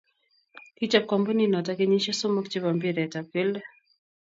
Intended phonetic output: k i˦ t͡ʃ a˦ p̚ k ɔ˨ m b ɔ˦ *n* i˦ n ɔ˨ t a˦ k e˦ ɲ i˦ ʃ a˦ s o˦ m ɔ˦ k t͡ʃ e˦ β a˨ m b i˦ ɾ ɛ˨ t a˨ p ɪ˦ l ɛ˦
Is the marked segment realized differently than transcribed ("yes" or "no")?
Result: no